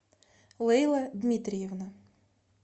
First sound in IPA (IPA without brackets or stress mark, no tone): lˠ